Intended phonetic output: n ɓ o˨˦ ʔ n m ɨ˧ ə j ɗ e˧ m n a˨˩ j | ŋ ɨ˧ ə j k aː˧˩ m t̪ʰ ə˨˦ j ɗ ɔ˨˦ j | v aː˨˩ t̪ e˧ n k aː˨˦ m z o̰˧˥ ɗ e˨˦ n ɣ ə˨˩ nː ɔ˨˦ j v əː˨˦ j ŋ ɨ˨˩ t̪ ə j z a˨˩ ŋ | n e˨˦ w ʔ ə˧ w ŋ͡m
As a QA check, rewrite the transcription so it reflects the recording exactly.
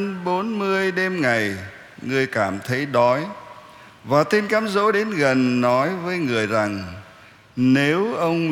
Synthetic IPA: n ɓ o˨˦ n m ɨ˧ ə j ɗ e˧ m ŋ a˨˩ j | ŋ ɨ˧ ə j k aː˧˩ m t̪ʰ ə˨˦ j ɗ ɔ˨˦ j | v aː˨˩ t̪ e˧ n k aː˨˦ m z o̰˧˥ ɗ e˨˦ n ɣ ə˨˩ nː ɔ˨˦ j v əː˨˦ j ŋ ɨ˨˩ ə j z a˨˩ ŋ | n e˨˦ w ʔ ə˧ w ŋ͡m